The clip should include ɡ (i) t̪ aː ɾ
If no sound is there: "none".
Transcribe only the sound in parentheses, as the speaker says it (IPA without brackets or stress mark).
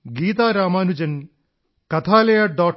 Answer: iː